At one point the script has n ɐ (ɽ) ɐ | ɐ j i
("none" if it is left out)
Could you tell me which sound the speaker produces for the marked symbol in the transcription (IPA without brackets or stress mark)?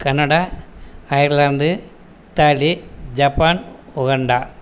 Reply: ɽ